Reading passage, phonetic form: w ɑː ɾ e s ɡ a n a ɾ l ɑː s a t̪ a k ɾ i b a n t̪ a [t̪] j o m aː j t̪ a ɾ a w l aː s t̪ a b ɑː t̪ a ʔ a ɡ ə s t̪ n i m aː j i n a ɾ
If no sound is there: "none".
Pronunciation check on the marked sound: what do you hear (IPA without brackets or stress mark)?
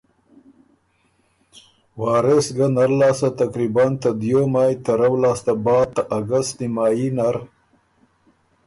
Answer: d̪